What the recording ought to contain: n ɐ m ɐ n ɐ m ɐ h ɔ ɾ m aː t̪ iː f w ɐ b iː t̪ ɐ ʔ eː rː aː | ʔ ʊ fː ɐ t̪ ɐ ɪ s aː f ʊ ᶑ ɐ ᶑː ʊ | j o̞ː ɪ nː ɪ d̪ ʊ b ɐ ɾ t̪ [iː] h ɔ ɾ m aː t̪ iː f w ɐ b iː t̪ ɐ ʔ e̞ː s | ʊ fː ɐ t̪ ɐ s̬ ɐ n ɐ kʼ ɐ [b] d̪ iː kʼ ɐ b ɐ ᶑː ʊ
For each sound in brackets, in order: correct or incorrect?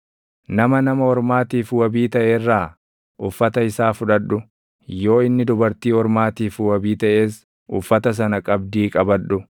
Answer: correct, correct

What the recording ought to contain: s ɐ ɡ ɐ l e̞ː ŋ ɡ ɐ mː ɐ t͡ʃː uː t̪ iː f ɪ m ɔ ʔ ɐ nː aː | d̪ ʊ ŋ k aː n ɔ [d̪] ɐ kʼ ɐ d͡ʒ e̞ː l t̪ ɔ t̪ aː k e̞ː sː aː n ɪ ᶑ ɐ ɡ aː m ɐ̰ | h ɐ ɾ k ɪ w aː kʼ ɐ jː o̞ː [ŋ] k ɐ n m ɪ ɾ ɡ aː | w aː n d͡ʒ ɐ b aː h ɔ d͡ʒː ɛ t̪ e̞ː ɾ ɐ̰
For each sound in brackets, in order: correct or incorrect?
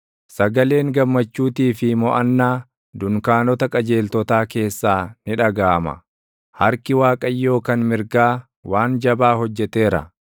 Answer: incorrect: t̪, incorrect: none

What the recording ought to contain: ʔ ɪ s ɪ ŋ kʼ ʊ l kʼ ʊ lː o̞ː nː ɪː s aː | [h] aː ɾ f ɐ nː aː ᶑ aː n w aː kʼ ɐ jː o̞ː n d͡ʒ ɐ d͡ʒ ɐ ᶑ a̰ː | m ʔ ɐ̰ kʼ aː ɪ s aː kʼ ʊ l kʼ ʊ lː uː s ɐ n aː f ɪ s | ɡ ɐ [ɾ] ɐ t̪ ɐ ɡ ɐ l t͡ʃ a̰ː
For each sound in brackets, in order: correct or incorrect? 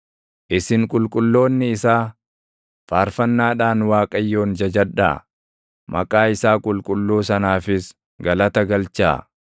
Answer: incorrect: f, incorrect: l

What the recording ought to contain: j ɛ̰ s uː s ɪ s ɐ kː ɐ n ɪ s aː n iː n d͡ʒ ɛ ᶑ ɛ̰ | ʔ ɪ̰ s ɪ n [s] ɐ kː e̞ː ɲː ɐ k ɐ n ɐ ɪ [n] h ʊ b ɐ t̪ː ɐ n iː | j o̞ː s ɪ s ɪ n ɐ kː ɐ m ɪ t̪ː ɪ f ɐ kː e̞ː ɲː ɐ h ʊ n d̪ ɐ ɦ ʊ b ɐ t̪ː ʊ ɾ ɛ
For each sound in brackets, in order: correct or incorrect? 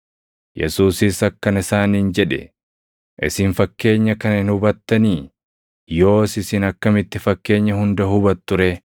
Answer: incorrect: f, correct

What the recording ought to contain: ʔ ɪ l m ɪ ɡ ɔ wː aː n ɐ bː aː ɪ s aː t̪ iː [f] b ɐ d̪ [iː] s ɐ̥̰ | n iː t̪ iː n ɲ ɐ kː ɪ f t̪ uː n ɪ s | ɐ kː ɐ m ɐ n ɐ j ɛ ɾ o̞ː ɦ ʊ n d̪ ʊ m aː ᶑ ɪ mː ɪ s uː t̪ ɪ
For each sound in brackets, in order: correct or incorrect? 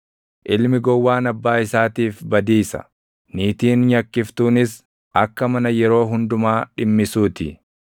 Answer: correct, correct

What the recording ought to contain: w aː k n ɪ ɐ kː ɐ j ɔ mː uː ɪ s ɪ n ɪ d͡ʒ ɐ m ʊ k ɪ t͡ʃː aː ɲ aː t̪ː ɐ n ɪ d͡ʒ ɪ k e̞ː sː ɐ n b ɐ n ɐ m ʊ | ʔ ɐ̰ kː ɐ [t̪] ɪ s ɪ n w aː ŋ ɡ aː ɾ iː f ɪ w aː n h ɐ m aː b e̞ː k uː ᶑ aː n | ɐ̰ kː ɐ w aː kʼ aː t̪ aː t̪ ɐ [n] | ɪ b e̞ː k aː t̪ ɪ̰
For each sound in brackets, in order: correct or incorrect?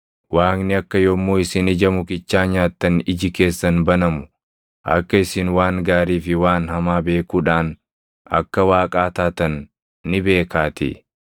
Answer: incorrect: none, incorrect: nː

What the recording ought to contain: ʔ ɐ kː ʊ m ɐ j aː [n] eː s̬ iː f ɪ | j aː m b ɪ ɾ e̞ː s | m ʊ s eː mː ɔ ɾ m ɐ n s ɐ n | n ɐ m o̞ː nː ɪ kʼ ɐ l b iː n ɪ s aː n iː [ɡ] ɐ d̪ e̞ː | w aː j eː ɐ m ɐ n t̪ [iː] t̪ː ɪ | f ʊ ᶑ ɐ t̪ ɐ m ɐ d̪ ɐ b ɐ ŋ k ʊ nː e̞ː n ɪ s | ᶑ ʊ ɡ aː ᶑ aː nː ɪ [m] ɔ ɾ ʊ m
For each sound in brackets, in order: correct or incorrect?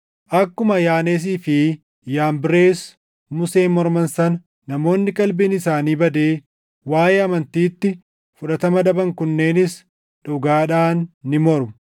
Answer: correct, incorrect: b, correct, correct

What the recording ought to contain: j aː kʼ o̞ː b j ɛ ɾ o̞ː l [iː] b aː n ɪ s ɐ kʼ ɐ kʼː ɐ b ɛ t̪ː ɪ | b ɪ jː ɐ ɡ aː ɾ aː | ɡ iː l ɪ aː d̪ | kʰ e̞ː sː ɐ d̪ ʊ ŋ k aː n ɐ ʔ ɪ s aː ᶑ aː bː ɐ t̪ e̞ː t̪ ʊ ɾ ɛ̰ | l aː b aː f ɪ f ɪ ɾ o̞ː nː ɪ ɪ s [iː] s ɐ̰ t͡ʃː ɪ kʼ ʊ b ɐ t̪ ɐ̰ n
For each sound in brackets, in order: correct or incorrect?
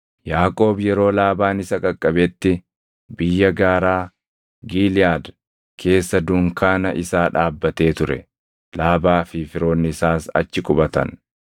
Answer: incorrect: aː, incorrect: aː

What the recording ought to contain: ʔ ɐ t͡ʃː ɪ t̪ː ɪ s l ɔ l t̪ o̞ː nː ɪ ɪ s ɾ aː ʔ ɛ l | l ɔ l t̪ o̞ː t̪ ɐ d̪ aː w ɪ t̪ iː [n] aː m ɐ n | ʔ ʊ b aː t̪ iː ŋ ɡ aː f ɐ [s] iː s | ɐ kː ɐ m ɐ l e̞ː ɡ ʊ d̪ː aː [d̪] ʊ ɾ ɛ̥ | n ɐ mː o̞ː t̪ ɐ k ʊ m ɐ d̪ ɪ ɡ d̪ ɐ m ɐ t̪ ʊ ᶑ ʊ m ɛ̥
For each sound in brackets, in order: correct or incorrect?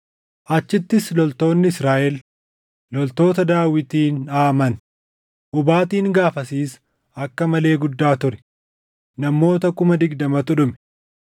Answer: correct, correct, incorrect: t̪

